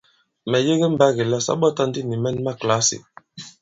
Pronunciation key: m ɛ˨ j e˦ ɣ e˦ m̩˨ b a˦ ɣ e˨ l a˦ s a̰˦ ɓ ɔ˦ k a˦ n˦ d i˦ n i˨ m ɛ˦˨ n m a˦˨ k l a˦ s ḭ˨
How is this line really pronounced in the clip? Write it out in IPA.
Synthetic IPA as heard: m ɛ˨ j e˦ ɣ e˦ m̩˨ b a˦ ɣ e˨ l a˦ s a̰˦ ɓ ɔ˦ t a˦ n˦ d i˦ n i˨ m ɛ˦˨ n m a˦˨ k l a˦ s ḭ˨

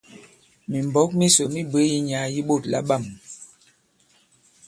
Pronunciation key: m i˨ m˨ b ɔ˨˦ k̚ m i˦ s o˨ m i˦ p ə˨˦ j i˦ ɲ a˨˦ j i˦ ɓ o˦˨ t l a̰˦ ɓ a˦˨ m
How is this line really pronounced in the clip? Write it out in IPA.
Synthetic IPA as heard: m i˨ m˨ b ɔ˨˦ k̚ m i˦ s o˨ m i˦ b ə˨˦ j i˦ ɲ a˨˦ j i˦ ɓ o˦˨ t l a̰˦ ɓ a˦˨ m

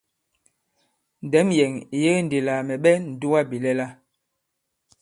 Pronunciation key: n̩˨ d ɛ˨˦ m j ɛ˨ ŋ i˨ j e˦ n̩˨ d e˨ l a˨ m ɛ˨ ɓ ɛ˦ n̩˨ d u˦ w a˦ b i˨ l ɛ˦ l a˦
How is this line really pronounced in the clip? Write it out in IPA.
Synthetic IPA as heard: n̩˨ d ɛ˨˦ m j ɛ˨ ŋ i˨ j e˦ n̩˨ d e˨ l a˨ m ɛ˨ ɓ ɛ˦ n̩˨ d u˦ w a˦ b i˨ l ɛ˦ l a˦

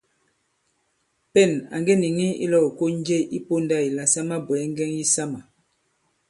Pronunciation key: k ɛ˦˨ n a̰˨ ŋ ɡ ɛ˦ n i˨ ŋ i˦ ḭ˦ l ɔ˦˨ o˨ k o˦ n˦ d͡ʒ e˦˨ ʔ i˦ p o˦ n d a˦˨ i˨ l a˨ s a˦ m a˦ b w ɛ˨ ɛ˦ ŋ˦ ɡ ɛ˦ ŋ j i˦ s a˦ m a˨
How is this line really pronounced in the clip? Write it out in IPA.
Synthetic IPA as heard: p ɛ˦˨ n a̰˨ ŋ ɡ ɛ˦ n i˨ ŋ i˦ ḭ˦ l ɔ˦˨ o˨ k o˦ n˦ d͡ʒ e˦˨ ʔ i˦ p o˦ n d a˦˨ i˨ l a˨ s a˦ m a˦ b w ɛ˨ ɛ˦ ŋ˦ ɡ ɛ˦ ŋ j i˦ s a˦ m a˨

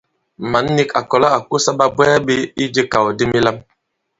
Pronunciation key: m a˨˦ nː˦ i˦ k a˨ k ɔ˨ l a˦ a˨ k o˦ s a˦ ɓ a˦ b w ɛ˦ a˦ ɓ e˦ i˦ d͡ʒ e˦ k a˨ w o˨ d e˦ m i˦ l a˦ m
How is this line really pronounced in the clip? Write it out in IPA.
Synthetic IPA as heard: m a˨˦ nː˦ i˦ k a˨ k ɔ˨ l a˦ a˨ k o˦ s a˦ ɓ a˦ b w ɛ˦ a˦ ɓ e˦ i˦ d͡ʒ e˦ k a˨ w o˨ d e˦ m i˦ l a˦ m

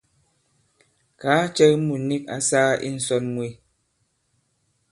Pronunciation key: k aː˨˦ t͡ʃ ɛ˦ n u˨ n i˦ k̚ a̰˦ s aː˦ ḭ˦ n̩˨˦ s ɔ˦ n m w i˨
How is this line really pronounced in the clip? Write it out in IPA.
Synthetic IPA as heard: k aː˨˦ t͡ʃ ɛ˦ m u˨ n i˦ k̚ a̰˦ s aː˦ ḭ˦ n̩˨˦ s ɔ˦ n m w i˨

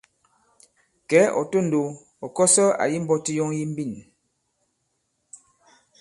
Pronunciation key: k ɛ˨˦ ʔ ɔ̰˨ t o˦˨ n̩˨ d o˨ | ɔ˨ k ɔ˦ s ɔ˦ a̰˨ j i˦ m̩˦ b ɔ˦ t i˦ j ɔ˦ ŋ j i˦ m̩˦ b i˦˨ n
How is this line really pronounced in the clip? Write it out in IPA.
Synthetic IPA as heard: k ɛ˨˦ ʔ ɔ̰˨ t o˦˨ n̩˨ d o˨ | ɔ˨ k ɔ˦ s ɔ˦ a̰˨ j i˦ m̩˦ b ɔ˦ t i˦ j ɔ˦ ŋ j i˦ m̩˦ b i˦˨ n

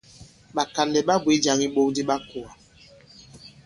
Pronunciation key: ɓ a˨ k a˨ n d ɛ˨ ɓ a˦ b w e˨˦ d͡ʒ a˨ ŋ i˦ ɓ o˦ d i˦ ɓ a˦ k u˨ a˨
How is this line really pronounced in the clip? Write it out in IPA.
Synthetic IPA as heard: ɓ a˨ k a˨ n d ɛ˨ ɓ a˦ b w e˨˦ d͡ʒ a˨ ŋ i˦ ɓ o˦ d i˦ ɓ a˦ k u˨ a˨

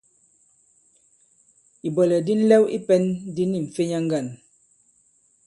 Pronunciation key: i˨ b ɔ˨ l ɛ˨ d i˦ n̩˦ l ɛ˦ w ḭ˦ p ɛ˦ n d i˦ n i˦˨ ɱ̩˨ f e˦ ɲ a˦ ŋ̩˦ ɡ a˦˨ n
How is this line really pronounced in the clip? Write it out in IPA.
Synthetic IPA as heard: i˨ b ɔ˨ l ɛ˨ d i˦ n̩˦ l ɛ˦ w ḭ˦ p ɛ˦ n d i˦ n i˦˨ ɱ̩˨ f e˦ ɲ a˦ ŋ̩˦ ɡ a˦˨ n

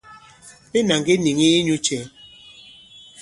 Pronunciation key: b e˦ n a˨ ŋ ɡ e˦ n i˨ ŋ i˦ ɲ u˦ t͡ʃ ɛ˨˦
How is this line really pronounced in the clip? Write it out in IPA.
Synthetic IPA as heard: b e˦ n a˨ ŋ ɡ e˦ n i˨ ŋ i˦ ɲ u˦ t͡ʃ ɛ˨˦

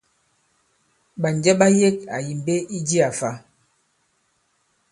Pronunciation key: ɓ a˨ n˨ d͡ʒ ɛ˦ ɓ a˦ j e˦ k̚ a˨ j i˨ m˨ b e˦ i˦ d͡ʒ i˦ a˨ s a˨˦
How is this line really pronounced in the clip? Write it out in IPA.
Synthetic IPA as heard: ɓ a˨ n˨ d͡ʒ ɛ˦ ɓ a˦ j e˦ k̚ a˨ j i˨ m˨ b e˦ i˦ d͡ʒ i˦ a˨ f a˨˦

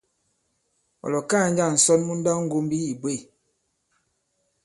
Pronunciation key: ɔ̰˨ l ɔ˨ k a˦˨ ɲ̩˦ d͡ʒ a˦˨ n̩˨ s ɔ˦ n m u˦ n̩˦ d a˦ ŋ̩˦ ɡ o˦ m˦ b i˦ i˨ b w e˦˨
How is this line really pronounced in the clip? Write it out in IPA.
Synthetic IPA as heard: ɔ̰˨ l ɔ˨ k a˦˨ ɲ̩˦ d͡ʒ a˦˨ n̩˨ s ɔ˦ n m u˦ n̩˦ d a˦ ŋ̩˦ ɡ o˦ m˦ b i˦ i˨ b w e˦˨

